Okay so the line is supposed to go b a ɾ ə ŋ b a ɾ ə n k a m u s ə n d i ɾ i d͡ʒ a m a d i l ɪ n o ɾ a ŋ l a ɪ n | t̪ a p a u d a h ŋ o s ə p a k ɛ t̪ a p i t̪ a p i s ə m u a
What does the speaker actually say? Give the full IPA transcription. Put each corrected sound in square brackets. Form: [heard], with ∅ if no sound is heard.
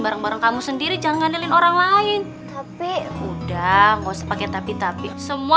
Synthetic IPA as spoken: b a ɾ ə ŋ b a ɾ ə [ŋ] k a m u s ə n d i ɾ i d͡ʒ a [ŋ] a [n] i l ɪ n o ɾ a ŋ l a ɪ n | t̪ a p [i] u d a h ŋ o s ə p a k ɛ t̪ a p i t̪ a p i s ə m u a

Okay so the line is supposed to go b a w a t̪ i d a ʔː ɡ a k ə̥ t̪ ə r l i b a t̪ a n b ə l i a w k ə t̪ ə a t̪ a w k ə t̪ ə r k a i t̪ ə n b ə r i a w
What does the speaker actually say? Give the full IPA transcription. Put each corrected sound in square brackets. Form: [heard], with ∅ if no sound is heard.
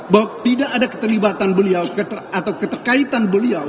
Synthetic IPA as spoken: b a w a t̪ i d a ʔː [d] a k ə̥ t̪ ə r l i b a t̪ a n b ə l i a w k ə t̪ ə a t̪ a w k ə t̪ ə r k a i t̪ [a] n b ə [l] i a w

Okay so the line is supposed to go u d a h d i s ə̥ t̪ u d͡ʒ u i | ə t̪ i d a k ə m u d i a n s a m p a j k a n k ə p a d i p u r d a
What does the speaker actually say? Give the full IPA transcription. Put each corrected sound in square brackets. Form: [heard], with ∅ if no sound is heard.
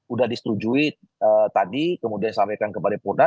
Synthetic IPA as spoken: u d a h d i s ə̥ t̪ u d͡ʒ u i | ə t̪ [a] d [i] k ə m u d i a n s a m p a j k a n k ə p a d [a] p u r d a

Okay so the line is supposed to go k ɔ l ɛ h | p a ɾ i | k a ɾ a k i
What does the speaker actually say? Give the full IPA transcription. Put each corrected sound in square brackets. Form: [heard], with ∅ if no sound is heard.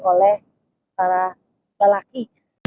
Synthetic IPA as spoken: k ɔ l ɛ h | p a ɾ [a] | [ɡ] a [l] a k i

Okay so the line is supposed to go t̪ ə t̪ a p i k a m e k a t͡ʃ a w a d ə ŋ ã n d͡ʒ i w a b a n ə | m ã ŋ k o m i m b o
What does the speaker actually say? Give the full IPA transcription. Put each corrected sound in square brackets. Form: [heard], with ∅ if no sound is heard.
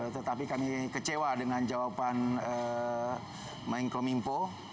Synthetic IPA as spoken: t̪ ə t̪ a p i k a m [i] k [ə] t͡ʃ [e] w a d ə ŋ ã n d͡ʒ [a] w a [p] a n ə | m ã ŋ k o m i m [p] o

